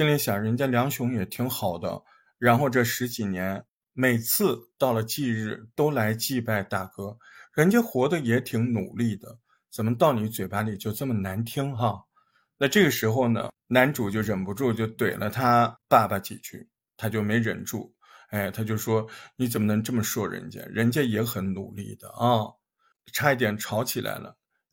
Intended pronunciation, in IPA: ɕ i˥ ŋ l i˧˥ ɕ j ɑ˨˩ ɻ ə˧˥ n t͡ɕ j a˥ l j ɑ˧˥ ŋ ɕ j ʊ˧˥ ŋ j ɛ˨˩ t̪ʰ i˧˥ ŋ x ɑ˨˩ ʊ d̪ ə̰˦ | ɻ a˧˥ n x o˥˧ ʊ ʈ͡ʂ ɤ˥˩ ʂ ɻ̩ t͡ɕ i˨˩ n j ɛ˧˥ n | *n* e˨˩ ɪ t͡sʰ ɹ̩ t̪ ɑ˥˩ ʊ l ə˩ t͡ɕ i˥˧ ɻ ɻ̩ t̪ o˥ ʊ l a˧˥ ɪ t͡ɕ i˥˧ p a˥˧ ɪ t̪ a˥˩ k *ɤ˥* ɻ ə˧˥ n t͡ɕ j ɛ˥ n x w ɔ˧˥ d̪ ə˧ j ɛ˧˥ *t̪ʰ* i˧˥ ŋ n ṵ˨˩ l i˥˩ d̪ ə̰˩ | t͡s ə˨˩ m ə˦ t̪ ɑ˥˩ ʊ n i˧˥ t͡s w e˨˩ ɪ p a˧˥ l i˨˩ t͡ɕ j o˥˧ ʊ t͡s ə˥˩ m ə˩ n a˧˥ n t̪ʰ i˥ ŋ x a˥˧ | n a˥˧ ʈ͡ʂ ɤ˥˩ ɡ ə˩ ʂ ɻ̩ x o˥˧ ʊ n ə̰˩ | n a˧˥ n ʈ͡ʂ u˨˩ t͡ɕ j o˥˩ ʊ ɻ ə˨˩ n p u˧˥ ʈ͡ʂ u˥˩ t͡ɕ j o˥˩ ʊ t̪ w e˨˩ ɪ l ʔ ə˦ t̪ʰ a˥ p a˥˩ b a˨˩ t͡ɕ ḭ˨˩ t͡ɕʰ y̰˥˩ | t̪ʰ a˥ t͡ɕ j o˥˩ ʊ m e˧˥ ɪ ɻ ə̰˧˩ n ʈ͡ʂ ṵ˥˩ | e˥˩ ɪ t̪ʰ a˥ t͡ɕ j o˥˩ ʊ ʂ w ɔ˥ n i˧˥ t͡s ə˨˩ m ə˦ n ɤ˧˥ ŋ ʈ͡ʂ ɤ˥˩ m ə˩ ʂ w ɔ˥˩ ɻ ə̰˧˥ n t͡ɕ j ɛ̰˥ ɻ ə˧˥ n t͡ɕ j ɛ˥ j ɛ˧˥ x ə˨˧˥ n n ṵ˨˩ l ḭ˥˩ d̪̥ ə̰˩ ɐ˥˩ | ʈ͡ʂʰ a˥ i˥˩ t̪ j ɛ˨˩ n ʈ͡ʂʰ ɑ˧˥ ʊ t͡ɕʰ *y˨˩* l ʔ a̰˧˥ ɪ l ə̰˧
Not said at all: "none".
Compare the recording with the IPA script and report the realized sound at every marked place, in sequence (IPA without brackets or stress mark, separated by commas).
m, ɤ˥, t̪ʰ, i˨˩